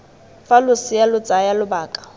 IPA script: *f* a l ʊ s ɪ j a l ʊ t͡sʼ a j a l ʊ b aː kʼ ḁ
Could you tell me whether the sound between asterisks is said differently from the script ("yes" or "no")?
no